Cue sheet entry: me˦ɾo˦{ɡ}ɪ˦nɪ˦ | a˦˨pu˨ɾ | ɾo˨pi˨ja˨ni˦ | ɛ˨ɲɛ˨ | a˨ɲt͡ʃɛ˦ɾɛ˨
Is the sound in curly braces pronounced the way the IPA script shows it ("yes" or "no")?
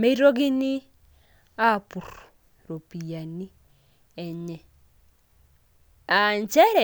yes